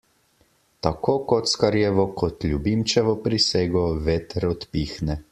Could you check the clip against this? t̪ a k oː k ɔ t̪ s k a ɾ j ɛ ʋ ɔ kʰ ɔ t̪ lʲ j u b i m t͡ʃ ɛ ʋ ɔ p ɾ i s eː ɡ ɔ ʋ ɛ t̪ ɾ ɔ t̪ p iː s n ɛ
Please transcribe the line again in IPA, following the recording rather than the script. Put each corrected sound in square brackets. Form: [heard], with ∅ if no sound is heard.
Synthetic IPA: t̪ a k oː k ɔ t̪ s k a ɾ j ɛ ʋ ɔ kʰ ɔ t̪ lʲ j u b i m t͡ʃ ɛ ʋ ɔ p ɾ i s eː ɡ ɔ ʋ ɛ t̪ ɾ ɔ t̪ p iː [x] n ɛ